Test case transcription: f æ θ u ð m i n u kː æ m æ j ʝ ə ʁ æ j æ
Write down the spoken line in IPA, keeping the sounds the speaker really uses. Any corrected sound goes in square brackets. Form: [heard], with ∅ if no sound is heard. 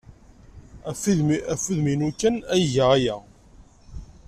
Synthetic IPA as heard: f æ [f] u ð m i n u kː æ [n] æ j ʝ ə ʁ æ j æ